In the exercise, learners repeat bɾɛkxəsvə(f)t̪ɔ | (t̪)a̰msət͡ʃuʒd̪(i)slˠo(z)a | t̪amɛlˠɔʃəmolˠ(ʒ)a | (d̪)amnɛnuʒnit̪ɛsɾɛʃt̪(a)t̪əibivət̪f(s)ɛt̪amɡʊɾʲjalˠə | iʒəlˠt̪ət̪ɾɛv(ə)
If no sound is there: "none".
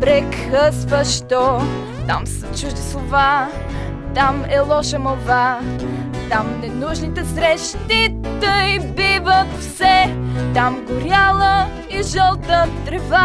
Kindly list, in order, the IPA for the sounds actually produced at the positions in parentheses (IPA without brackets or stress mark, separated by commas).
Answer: ʃ, t̪, i, v, v, t̪, i, s, a